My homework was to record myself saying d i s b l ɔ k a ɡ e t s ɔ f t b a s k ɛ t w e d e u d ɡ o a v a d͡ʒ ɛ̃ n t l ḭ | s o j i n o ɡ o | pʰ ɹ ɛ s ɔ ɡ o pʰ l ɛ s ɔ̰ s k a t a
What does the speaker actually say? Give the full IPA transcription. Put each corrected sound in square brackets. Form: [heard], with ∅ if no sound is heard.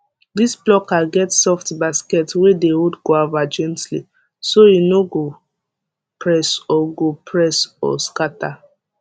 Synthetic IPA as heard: d i s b l ɔ k a ɡ [ɛ] t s ɔ f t b a s k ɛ t w e d e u d ɡ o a v a d͡ʒ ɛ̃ n t l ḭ | s o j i n o ɡ o | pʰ ɹ ɛ s ɔ ɡ o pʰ [ɹ] ɛ s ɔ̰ s k a t a